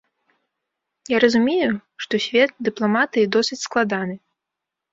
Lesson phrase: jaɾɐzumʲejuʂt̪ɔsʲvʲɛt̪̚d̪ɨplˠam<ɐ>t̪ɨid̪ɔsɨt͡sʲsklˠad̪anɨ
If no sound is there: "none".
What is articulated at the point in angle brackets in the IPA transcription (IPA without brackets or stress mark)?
a